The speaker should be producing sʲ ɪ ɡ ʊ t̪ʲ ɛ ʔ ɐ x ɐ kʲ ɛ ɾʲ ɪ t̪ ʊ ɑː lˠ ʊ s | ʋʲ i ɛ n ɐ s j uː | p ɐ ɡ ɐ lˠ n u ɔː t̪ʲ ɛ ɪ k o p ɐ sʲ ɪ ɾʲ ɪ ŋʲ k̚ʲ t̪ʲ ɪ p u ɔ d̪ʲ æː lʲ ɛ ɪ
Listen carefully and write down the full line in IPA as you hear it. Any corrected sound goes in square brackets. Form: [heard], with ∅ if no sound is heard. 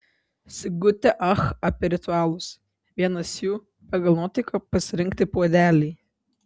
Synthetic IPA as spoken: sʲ ɪ ɡ ʊ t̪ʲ ɛ ʔ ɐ x ɐ [pʲ] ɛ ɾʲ ɪ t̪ ʊ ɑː lˠ ʊ s | ʋʲ i ɛ n ɐ s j uː | p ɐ ɡ ɐ lˠ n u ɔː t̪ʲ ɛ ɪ k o p ɐ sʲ ɪ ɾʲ ɪ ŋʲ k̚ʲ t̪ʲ ɪ p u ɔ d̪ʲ æː lʲ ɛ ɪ